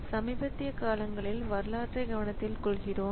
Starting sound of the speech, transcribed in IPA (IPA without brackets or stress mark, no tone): s